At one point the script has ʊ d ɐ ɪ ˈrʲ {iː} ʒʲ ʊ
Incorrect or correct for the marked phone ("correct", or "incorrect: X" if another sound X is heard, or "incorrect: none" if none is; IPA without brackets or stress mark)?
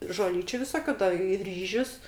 correct